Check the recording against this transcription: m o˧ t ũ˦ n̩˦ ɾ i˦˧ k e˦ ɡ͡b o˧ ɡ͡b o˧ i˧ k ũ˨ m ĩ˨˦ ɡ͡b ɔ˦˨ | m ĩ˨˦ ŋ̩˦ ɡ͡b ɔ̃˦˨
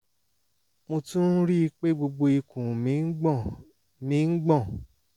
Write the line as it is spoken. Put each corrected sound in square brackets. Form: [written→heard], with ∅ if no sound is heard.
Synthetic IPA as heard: m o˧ t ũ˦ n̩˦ ɾ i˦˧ [k→k͡p] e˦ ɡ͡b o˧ ɡ͡b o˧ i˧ k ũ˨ m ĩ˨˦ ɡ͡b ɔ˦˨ | m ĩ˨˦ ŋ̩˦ ɡ͡b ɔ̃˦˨